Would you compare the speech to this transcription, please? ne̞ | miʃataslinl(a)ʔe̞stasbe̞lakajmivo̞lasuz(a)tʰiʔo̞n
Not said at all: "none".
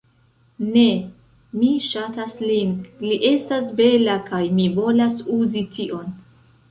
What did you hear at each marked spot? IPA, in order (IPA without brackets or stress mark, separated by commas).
i, i